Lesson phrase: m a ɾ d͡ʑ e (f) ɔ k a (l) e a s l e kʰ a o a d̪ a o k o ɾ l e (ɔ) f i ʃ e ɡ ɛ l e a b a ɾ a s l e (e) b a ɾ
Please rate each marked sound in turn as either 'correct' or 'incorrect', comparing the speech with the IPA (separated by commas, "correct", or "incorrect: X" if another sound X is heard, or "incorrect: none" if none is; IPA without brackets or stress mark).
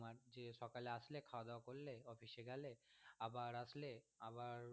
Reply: incorrect: ʃ, correct, correct, incorrect: a